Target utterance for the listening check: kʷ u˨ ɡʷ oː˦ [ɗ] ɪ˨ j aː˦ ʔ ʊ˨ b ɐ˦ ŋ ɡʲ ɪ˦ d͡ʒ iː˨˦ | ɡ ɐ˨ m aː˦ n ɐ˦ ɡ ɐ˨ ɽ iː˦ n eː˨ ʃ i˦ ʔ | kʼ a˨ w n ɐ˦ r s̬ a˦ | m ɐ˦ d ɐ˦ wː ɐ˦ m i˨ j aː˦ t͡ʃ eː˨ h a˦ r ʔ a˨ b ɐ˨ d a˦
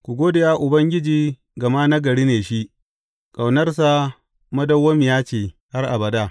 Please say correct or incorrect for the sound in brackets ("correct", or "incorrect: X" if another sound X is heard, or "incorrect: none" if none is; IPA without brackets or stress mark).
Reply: incorrect: d